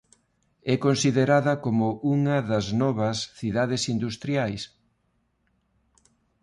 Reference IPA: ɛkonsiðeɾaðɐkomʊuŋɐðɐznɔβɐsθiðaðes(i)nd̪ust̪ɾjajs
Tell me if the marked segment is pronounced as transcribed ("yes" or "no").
yes